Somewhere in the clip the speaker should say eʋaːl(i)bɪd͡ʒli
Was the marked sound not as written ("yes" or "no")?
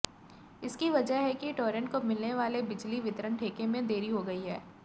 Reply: yes